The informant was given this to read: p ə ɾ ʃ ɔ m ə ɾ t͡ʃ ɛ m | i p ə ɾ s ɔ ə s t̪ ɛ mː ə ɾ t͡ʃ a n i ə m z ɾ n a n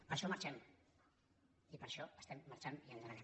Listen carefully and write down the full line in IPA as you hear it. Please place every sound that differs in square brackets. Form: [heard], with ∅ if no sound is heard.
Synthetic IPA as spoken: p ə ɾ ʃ ɔ m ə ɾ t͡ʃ ɛ m | i p ə ɾ [ʃ] ɔ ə s t̪ ɛ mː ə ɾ t͡ʃ a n i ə [n] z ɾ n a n